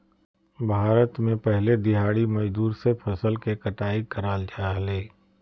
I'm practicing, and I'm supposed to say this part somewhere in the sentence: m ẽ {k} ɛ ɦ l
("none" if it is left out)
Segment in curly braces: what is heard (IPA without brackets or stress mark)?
p